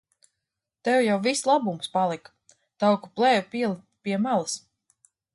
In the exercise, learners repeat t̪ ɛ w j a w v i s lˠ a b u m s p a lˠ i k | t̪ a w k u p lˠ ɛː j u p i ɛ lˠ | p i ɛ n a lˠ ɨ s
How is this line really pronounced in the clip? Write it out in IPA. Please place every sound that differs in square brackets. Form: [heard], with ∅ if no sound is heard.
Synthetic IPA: t̪ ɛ w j a w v i s lˠ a b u m s p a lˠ i k | t̪ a w k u p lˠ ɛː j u p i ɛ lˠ | p i ɛ [m] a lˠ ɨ s